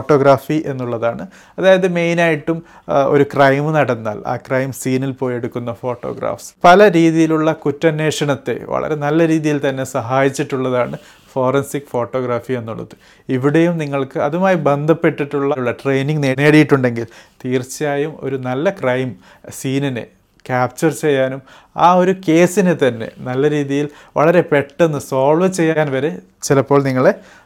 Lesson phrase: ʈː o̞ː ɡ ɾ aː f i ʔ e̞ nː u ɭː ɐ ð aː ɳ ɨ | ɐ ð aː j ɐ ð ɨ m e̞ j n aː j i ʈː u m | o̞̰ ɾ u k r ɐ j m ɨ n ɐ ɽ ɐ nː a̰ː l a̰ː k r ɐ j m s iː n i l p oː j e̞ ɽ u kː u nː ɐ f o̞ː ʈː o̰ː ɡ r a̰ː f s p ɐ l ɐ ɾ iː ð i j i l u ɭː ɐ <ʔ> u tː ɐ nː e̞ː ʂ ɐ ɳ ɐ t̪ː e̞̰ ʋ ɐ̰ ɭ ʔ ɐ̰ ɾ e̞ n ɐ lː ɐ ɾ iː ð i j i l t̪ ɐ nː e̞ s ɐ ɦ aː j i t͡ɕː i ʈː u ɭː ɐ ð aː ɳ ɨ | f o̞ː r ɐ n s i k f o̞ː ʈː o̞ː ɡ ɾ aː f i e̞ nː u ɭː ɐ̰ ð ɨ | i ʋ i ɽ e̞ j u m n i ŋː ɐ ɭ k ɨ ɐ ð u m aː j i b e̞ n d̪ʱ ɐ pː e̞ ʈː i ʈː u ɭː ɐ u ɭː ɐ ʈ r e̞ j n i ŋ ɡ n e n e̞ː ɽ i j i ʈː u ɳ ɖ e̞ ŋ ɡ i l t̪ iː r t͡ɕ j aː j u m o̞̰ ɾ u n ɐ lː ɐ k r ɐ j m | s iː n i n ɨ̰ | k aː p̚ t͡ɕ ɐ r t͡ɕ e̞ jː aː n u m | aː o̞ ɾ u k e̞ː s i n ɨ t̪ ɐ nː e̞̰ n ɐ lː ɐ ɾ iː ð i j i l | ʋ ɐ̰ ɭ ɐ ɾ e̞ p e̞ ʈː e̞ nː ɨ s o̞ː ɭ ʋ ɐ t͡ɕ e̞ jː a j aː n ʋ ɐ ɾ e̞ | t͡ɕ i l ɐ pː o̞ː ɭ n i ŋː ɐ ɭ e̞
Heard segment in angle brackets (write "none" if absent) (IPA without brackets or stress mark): k